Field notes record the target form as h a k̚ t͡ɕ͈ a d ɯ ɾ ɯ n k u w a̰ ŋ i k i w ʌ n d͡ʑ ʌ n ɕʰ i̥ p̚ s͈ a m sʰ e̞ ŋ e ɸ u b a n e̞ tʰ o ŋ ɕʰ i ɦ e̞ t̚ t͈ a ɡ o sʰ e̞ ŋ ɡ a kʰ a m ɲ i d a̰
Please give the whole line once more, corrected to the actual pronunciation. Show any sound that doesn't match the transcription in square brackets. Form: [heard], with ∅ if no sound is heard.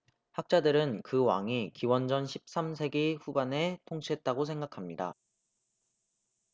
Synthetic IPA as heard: h a k̚ t͡ɕ͈ a d ɯ ɾ ɯ n k [ɯ] w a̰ ŋ i k i w ʌ n d͡ʑ ʌ n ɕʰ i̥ p̚ s͈ a m sʰ e̞ [ɡ] e ɸ u b a n e̞ tʰ o ŋ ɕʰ i ɦ e̞ t̚ t͈ a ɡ o sʰ e̞ ŋ ɡ a kʰ a m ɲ i d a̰